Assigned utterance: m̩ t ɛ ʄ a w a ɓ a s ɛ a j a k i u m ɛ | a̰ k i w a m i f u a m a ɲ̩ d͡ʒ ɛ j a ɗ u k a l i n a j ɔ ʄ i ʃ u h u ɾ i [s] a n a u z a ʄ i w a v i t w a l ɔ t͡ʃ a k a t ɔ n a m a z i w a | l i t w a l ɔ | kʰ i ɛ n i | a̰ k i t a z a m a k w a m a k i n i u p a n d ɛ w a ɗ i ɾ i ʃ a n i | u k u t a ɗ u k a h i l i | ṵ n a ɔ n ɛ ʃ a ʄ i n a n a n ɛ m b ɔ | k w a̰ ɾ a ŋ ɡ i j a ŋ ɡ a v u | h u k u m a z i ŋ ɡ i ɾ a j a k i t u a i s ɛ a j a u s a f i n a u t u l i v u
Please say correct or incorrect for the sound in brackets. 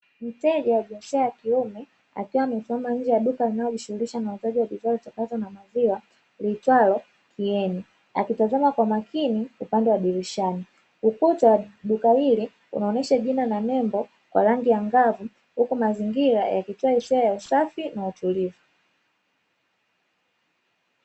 incorrect